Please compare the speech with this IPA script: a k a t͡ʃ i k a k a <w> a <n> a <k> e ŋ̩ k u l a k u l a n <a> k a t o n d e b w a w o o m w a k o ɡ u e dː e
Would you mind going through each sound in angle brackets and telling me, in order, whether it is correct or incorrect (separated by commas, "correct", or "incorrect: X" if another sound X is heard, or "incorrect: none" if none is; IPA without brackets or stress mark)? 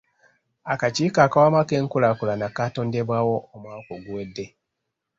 correct, incorrect: m, correct, correct